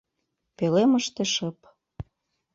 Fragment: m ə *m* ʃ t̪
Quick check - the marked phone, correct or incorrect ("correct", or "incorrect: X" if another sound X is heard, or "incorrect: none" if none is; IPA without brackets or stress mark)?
incorrect: none